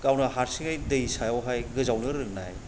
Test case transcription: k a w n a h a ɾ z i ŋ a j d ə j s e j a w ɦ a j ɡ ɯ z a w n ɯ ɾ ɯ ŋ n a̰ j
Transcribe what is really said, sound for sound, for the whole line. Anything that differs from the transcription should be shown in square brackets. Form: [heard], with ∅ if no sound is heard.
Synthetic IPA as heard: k a w n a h a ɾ [s] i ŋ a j d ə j s [a] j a w ɦ a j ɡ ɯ z a w n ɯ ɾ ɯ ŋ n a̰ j